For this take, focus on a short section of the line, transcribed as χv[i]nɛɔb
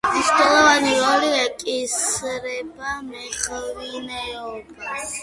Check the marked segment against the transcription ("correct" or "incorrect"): correct